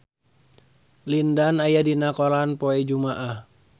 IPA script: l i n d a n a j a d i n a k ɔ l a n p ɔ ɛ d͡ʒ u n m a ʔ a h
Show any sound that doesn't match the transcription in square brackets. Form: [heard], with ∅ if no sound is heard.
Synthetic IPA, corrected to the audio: l i n d a n a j a d i n a k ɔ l a n p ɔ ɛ d͡ʒ u [∅] m a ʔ a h